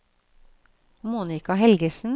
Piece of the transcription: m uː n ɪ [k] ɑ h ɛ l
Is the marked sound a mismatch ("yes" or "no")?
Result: no